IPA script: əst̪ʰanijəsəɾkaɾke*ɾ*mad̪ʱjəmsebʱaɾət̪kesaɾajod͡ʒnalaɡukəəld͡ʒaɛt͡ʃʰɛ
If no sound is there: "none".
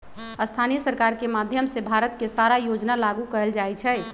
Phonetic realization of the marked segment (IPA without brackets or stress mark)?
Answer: none